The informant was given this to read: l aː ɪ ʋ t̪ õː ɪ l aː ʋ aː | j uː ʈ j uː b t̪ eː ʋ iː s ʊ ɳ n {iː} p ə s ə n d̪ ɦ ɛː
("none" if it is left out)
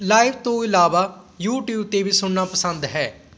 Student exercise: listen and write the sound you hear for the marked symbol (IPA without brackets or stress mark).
aː